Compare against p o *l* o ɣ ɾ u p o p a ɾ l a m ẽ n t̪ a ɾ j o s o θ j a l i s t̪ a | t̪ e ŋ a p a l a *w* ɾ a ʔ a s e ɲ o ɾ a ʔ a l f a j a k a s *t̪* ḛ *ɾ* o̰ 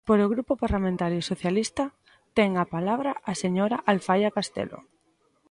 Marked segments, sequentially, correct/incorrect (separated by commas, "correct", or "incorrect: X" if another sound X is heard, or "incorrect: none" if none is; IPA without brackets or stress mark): incorrect: ɾ, incorrect: β, correct, incorrect: l